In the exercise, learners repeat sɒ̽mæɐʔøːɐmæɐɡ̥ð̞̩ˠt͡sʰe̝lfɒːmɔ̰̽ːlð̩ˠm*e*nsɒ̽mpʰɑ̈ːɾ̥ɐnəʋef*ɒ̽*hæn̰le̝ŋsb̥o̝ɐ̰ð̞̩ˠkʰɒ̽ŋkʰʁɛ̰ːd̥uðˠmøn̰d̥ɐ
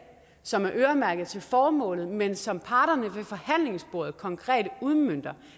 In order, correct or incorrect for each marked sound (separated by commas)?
correct, correct